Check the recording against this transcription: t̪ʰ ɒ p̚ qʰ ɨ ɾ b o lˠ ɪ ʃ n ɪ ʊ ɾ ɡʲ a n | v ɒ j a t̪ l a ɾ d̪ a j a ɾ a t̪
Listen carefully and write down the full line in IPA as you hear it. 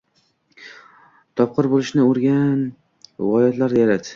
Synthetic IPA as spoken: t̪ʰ ɒ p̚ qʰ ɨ ɾ b o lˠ ɪ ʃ n ɪ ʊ ɾ ɡʲ a n | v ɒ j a t̪ l a ɾ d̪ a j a ɾ a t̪